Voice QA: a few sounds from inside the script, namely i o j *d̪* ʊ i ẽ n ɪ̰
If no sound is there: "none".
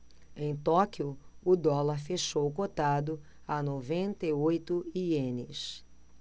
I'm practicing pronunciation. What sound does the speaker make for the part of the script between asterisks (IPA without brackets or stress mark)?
t̪